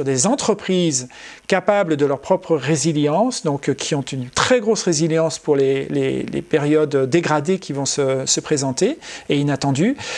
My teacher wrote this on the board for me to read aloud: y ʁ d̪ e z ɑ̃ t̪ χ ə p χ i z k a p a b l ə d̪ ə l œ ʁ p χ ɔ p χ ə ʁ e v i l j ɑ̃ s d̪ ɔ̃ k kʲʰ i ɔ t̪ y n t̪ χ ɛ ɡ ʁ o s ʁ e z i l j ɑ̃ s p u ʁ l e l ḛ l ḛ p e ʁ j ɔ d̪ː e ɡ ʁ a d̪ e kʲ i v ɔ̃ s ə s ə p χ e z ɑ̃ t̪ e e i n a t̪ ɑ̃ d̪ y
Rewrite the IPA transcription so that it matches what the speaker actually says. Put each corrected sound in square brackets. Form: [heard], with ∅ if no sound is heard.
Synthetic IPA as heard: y ʁ d̪ e z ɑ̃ t̪ χ ə p χ i z k a p a b l ə d̪ ə l œ ʁ p χ ɔ p χ ə ʁ e [z] i l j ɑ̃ s d̪ ɔ̃ k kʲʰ i [ɔ̃] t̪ y n t̪ χ ɛ ɡ ʁ o s ʁ e z i l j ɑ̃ s p u ʁ l e l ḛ l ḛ p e ʁ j ɔ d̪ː e ɡ ʁ a d̪ e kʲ i v ɔ̃ s ə s ə p χ e z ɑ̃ t̪ e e i n a t̪ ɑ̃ d̪ y